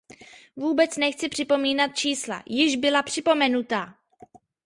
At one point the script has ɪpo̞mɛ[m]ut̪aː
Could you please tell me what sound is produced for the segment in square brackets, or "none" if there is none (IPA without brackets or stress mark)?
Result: n